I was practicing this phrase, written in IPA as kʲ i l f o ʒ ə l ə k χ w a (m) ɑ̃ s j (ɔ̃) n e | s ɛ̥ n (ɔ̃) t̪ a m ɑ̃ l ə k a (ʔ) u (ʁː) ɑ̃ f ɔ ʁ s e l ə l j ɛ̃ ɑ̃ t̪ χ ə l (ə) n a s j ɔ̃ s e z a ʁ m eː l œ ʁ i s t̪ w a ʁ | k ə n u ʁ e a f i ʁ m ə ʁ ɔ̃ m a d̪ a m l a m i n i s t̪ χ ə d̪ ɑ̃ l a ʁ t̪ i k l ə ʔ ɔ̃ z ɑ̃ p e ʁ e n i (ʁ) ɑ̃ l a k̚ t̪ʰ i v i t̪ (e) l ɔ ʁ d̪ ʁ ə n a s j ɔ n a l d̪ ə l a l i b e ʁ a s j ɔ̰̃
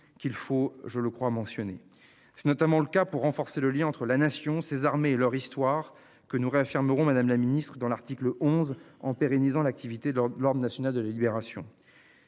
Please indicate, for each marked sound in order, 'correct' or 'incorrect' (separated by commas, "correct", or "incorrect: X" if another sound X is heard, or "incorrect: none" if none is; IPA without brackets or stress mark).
correct, incorrect: ɔ, incorrect: ɔ, incorrect: p, correct, incorrect: a, incorrect: z, correct